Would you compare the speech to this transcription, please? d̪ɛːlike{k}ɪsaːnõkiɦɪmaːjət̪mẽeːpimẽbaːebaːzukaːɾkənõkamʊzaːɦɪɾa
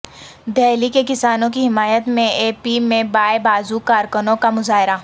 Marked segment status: correct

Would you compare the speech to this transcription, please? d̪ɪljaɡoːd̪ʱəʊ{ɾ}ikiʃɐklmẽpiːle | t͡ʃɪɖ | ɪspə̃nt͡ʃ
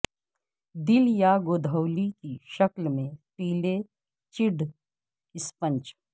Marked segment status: incorrect: l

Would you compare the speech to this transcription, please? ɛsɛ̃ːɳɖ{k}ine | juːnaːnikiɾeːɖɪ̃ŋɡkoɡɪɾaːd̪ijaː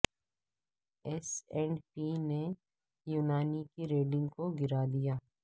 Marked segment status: incorrect: p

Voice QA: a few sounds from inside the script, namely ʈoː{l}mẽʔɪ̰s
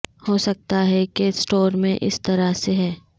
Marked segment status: incorrect: ɾ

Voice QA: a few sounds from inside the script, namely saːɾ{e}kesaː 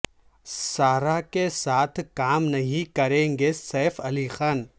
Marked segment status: incorrect: a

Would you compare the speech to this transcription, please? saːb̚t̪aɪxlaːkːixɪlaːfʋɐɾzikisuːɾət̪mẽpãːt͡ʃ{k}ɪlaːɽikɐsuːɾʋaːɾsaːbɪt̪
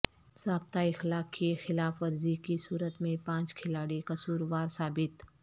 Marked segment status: incorrect: kʰ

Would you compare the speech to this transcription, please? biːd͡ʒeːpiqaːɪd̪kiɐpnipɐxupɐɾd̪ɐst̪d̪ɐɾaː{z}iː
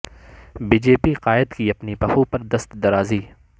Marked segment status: correct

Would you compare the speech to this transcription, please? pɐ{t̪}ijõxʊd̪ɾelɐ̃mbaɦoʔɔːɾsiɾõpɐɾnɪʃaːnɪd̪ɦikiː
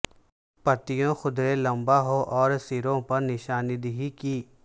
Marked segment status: correct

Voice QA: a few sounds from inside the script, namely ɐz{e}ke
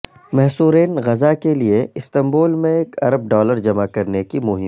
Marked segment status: incorrect: a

